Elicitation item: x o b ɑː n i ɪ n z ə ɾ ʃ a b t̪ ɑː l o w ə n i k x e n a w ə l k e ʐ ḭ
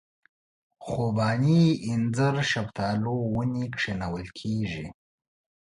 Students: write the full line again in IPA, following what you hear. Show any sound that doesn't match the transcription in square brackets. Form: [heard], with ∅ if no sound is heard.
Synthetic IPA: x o b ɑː n i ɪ n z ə ɾ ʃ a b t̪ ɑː l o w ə n i k [ʂ] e n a w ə l [kʰ] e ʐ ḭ